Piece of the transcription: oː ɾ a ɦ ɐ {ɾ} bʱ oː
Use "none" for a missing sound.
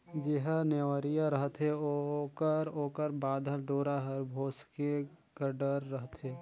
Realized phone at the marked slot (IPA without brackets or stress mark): ɾ